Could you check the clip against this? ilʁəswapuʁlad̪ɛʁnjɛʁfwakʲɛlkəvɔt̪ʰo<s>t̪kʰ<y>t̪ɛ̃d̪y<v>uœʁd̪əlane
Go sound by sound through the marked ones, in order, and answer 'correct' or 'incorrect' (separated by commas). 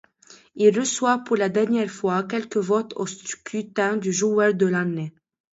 correct, correct, incorrect